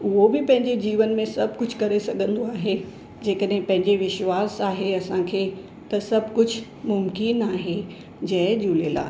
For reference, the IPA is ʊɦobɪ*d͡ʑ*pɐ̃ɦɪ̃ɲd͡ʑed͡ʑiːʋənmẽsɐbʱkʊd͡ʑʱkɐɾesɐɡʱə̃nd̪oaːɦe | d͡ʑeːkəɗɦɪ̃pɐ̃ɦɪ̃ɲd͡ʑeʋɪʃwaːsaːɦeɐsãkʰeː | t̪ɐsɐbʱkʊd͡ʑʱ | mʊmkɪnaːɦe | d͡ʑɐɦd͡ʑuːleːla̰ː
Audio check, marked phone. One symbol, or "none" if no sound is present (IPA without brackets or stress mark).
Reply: none